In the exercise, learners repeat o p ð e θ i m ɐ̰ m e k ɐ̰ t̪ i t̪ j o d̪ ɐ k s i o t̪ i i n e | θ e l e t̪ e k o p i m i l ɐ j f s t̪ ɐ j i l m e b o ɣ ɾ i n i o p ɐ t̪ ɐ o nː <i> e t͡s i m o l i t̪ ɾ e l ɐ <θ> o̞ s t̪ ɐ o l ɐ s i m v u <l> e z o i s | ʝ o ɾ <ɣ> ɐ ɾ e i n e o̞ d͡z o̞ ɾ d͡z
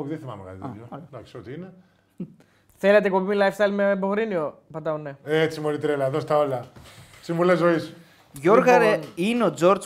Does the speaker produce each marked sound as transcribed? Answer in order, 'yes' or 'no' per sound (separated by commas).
no, no, yes, yes